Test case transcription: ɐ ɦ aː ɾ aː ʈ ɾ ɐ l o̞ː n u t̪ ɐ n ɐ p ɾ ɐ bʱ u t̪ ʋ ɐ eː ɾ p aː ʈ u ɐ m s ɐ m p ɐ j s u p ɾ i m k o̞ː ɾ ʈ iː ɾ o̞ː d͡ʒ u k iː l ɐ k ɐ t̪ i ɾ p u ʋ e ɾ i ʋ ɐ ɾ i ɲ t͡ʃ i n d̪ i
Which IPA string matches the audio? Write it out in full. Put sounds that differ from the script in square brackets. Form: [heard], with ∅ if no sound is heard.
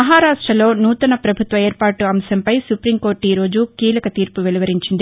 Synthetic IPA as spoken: ɐ ɦ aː ɾ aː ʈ ɾ ɐ l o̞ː n [uː] t̪ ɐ n ɐ p ɾ ɐ bʱ u t̪ ʋ ɐ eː ɾ p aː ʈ u ɐ m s ɐ m p ɐ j s u p ɾ i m k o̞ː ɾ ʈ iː ɾ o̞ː d͡ʒ u k iː l ɐ k ɐ t̪ [iː] ɾ p u ʋ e [l] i ʋ ɐ ɾ i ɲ t͡ʃ i n d̪ i